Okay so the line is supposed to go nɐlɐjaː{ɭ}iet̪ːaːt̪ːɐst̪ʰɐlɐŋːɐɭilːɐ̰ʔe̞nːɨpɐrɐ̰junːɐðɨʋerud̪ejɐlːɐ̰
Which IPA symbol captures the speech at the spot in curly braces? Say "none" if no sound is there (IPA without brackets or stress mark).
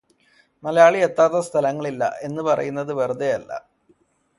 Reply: ɭ